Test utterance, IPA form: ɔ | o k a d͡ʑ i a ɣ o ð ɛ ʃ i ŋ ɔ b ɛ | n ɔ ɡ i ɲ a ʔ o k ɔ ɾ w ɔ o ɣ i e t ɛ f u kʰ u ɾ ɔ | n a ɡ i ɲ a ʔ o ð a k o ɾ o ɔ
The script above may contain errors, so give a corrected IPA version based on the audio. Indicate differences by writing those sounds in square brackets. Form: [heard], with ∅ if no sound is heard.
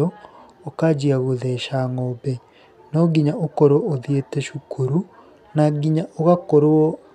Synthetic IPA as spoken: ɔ | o k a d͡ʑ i a ɣ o ð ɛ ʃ [a] ŋ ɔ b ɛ | n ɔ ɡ i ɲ a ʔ o k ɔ ɾ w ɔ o [ð] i e t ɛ [ʃ] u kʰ u ɾ [u] | n a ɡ i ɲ a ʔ o [ɣ] a k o ɾ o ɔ